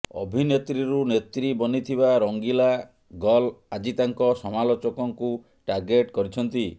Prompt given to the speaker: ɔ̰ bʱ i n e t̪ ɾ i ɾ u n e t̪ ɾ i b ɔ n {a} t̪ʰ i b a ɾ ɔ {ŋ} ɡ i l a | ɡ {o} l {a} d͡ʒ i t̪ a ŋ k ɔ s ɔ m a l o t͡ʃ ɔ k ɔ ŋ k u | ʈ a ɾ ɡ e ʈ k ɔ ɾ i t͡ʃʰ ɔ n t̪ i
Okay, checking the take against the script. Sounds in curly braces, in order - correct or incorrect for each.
incorrect: i, correct, incorrect: ɔ, correct

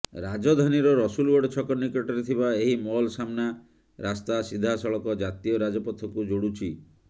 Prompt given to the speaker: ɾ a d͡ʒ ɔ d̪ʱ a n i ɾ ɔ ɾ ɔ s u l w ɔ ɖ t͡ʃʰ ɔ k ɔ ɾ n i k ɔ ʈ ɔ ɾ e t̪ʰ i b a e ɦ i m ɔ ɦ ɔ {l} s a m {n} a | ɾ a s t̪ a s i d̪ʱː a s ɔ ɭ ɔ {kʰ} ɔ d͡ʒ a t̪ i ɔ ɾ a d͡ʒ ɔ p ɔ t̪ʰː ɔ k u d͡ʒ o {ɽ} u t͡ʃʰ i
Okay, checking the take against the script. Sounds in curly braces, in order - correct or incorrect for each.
correct, correct, incorrect: k, correct

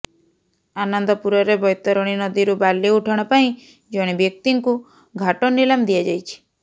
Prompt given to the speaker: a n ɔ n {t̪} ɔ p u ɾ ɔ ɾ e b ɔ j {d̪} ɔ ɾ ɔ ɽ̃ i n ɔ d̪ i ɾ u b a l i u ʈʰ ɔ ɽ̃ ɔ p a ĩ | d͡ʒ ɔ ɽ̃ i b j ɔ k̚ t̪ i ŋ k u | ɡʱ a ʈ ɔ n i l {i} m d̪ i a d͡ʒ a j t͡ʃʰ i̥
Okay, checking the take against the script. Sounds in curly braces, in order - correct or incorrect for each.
incorrect: d̪, incorrect: t̪, incorrect: a

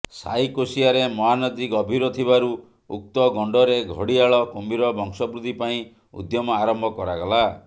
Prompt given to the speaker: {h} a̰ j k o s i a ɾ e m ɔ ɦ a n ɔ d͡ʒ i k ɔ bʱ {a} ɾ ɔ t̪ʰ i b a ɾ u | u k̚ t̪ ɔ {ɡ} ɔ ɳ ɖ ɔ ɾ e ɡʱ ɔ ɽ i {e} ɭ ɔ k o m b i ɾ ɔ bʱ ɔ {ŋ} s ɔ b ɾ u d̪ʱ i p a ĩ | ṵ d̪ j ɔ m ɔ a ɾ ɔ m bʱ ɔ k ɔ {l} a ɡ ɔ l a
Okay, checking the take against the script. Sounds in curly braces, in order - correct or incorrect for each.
incorrect: s, incorrect: i, correct, incorrect: a, correct, incorrect: ɾ

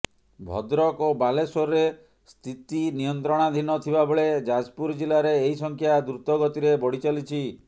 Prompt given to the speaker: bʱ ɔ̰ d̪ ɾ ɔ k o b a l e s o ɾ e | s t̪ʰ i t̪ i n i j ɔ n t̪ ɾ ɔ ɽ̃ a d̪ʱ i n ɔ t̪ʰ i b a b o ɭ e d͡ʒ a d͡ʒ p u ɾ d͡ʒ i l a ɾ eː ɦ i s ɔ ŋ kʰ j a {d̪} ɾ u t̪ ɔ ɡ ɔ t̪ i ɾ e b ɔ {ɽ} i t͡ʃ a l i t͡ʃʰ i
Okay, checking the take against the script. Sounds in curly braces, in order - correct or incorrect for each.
correct, correct

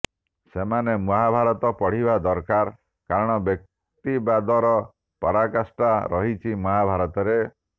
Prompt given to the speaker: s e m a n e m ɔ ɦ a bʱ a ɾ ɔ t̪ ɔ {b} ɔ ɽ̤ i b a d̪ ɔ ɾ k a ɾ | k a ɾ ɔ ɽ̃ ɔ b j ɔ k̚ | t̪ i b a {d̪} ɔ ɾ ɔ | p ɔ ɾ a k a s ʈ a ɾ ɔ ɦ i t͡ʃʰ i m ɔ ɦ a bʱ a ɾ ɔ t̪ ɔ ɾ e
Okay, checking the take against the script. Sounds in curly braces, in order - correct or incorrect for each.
incorrect: p, correct

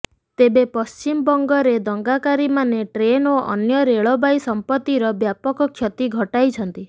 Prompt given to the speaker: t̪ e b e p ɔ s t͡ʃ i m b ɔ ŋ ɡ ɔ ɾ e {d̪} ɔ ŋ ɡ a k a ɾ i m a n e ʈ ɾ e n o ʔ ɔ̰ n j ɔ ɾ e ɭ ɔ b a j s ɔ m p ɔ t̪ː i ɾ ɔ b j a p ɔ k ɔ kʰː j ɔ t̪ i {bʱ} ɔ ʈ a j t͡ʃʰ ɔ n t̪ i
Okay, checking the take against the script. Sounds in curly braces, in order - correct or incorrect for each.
correct, incorrect: ɡʱ

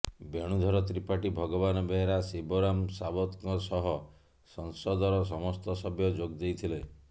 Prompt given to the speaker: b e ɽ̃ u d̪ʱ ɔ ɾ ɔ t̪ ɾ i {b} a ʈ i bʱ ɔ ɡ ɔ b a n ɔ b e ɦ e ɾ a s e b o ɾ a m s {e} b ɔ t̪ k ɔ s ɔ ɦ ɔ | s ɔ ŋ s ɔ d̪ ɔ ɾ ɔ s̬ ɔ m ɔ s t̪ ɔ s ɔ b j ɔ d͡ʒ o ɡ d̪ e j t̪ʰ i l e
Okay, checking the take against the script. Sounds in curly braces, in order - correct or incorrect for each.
incorrect: p, incorrect: a

